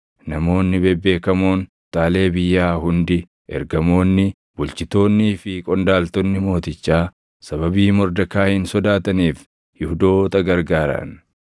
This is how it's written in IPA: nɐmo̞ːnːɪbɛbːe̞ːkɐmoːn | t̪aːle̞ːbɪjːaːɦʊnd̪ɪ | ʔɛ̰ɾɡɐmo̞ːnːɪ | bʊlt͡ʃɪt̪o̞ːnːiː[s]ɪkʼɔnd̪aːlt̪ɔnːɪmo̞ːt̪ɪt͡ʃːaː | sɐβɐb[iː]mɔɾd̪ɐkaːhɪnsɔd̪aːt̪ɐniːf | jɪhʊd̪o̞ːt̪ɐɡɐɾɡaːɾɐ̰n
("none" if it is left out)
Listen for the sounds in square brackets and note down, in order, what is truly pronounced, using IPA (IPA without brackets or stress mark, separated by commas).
f, iː